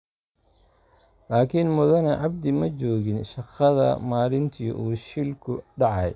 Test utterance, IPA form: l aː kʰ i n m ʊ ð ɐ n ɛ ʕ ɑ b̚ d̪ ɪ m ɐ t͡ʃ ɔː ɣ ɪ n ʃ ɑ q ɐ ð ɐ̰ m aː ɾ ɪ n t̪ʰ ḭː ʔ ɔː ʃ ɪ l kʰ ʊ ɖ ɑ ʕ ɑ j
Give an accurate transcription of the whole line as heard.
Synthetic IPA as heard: l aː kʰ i n m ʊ ð ɐ n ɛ ʕ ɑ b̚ d̪ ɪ m ɐ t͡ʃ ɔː ɣ ɪ n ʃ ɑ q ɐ ð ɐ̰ m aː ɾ ɪ n t̪ʰ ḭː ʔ uː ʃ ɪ l kʰ ʊ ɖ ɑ ʕ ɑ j